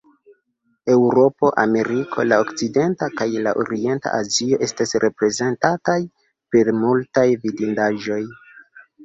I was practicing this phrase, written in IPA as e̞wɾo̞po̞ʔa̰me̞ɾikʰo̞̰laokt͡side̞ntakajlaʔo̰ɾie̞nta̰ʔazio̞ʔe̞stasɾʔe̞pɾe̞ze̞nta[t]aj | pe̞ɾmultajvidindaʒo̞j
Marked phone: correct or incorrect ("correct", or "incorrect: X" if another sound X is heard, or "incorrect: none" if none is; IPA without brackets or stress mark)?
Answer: correct